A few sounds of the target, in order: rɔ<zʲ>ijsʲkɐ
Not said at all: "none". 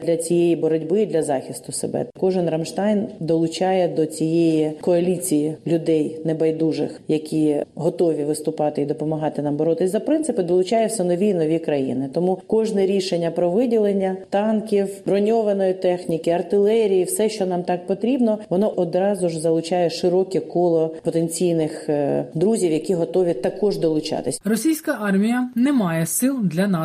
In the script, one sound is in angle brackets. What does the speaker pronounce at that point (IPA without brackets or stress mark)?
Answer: sʲ